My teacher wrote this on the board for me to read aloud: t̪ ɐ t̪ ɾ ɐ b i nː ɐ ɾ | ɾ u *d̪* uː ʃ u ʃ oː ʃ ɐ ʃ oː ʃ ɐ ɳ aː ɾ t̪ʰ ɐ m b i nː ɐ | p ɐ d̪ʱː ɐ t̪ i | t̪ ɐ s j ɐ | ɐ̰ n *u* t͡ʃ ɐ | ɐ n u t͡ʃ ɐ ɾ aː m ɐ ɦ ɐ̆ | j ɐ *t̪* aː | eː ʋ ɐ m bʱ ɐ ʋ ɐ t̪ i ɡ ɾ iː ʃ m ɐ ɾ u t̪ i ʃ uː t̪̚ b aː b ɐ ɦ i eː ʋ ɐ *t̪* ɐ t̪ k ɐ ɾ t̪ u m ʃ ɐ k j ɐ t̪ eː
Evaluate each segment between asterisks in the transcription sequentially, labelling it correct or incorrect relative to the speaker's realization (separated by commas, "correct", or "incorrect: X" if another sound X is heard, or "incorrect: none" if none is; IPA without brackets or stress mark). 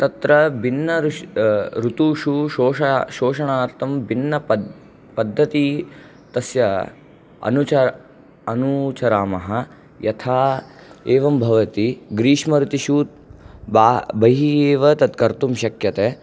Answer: incorrect: t̪, correct, incorrect: t̪ʰ, correct